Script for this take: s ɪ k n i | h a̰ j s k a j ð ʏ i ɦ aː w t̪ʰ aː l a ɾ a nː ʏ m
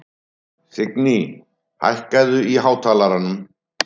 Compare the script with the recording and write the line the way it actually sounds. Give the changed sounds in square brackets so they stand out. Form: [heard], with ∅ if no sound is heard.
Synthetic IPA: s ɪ k n i | h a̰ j [h] k a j ð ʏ i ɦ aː w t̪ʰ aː l a ɾ a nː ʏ m